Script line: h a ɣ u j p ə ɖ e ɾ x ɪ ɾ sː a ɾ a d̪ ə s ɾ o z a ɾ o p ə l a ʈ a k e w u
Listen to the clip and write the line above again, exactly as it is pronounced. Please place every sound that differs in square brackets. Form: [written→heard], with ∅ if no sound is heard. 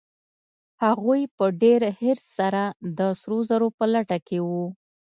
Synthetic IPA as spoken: h a ɣ u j p ə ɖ e ɾ [x→h] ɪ ɾ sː a ɾ a d̪ ə s ɾ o z a ɾ o p ə l a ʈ a k e w u